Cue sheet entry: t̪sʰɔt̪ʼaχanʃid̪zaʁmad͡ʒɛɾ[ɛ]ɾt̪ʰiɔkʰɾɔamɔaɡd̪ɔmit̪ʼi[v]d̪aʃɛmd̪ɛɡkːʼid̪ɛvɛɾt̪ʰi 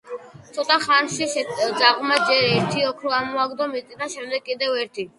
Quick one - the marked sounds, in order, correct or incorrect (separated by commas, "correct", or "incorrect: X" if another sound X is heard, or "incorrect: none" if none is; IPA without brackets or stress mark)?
correct, incorrect: none